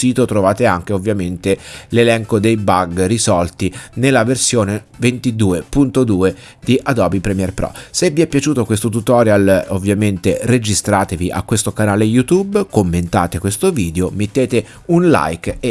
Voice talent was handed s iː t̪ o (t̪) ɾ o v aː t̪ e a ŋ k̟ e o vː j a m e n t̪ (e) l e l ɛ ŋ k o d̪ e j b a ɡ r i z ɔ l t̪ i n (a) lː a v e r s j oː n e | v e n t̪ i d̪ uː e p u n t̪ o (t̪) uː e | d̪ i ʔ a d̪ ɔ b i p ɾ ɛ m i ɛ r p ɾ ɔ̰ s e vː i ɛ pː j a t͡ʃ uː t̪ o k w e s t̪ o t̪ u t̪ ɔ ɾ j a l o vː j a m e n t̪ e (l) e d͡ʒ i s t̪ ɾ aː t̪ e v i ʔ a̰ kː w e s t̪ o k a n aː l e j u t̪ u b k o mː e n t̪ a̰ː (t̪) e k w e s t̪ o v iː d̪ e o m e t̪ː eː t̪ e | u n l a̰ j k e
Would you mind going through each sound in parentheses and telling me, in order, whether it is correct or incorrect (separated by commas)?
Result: correct, correct, incorrect, incorrect, incorrect, correct